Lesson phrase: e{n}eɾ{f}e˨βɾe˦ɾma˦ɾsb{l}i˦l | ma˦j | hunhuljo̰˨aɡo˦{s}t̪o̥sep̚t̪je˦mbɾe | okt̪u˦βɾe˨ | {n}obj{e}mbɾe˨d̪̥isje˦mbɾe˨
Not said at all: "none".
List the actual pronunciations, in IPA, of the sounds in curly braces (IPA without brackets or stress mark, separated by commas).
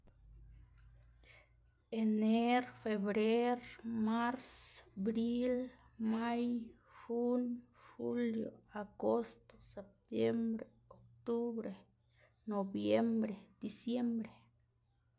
n, f, ɾ, s, n, e